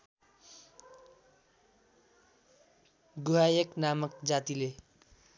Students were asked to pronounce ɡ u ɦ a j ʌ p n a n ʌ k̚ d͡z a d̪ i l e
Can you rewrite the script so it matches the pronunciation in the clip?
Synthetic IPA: ɡ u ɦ a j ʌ k n a m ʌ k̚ d͡z a t̪ i l e